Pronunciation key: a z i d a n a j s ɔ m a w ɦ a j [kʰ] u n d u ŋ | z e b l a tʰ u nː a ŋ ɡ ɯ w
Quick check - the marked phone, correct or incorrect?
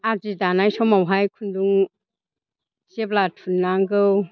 correct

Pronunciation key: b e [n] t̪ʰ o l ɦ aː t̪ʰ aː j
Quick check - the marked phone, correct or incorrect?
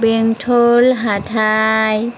incorrect: ŋ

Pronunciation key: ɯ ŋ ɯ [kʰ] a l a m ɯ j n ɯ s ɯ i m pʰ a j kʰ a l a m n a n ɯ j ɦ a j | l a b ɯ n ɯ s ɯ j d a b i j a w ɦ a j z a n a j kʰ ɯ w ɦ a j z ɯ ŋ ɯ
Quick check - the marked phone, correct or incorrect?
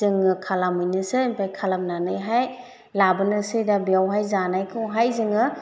correct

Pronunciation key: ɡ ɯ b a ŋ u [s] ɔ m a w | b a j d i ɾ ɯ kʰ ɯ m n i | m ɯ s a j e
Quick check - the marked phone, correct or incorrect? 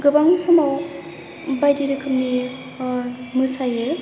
correct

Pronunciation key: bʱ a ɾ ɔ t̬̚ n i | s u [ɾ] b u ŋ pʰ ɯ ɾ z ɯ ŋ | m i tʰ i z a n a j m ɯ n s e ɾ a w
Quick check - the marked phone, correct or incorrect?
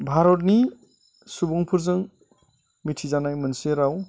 incorrect: none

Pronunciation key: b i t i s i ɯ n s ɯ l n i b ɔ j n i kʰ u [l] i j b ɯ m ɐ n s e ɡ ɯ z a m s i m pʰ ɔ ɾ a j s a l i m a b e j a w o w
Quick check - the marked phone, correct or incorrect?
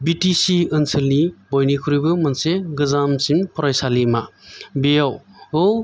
incorrect: ɾ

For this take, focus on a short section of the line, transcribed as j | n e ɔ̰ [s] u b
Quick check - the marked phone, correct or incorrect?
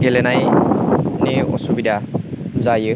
correct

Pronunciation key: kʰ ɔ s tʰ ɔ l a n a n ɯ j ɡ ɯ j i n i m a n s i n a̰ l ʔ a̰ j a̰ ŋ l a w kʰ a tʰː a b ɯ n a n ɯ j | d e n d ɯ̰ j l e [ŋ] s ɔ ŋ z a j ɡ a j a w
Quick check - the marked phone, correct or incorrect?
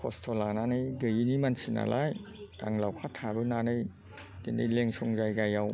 correct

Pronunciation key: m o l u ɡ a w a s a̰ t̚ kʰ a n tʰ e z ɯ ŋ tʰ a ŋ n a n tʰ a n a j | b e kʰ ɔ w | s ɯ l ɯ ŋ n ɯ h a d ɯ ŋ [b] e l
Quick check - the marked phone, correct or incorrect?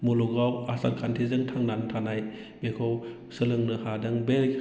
correct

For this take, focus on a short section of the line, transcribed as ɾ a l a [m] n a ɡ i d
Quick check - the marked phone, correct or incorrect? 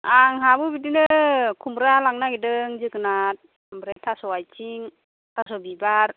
incorrect: ŋ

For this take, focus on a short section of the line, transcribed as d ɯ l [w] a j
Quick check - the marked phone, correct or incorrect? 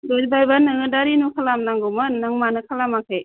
incorrect: b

